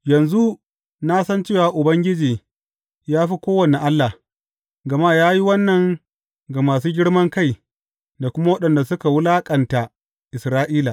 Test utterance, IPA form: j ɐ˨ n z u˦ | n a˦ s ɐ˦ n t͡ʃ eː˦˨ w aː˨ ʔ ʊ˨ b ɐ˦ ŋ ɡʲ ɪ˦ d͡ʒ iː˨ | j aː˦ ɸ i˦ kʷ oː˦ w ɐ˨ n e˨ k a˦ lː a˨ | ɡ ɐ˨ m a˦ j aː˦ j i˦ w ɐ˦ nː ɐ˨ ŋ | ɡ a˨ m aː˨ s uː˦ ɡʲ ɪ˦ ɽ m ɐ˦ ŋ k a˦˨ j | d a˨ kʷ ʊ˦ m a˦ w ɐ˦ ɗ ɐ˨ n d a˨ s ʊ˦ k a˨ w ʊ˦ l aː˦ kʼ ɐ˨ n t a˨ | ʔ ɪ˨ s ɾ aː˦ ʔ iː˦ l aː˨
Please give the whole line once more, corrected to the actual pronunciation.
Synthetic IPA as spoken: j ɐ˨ n z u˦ | n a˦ s ɐ˦ n t͡ʃ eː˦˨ w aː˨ ʔ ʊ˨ b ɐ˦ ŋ ɡʲ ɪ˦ d͡ʒ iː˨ | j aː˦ ɸ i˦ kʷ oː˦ w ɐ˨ n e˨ ʔ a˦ lː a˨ | ɡ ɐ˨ m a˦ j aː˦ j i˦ w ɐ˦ nː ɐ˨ ŋ | ɡ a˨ m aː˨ s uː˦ ɡʲ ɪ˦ ɽ m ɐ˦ ŋ k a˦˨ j | d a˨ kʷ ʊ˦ m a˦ w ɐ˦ ɗ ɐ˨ n d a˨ s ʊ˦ k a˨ w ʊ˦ l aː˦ kʼ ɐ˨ n t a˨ | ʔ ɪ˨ s ɾ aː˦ ʔ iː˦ l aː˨